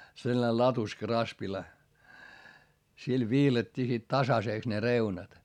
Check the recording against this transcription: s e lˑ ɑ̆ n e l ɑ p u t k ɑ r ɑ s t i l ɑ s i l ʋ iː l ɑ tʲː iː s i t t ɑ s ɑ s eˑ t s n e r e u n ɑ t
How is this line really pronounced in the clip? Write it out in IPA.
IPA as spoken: s e lˑ ɑ̆ n e l ɑ t u s k ɑ r ɑ s p i l ɑ s i l ʋ iː l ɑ tʲː iː s i t t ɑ s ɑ s eˑ k s n e r e u n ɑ t